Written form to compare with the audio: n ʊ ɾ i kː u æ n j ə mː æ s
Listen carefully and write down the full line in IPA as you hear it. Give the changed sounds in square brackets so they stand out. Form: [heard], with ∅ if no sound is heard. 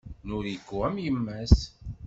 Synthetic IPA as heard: n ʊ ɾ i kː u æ [m] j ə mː æ s